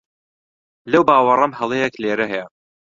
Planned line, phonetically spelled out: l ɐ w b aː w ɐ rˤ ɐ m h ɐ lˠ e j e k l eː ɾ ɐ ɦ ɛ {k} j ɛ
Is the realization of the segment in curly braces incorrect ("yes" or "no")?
yes